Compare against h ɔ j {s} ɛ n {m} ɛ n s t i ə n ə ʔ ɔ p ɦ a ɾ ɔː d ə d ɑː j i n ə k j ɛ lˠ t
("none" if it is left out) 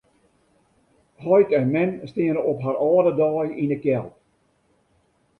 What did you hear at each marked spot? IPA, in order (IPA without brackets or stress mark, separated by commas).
t, m